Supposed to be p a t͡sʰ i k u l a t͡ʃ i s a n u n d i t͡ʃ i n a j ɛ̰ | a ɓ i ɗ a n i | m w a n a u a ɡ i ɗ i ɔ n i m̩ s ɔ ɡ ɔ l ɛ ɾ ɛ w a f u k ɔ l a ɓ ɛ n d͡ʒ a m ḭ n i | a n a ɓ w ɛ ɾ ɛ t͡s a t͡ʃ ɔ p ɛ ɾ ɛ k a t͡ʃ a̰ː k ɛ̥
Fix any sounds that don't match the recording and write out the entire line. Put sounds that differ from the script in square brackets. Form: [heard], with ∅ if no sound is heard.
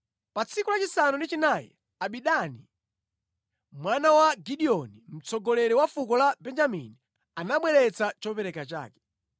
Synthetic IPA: p a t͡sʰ i k u l a t͡ʃ i s a n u n d i t͡ʃ i n a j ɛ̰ | a ɓ i ɗ a n i | m w a n a [w] a ɡ i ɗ i ɔ n i m̩ [t͡s] ɔ ɡ ɔ l ɛ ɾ ɛ w a f u k ɔ l a [b] ɛ n d͡ʒ a m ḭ n i | a n a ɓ w ɛ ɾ ɛ t͡s a t͡ʃ ɔ p ɛ ɾ ɛ k a t͡ʃ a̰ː k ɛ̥